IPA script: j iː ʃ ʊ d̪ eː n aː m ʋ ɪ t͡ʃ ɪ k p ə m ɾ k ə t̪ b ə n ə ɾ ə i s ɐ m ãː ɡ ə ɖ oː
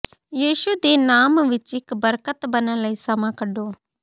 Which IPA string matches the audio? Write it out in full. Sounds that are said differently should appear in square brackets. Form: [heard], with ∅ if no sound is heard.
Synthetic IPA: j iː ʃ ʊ d̪ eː n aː m ʋ ɪ t͡ʃ ɪ k [b] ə [∅] ɾ k ə t̪ b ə n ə [l] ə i s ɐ m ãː [k] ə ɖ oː